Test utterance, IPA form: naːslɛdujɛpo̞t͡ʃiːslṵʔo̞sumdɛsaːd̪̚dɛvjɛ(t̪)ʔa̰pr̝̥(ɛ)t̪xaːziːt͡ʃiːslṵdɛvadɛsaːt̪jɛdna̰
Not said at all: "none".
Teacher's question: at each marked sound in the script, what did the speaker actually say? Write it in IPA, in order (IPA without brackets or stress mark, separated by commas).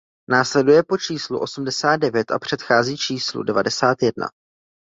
t̪, ɛ